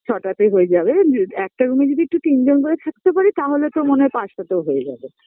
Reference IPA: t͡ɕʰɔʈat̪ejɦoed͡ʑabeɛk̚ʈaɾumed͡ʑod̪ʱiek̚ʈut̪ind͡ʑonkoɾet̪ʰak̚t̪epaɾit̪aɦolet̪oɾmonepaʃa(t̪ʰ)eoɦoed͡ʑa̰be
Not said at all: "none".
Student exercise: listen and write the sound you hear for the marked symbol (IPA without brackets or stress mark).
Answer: t̪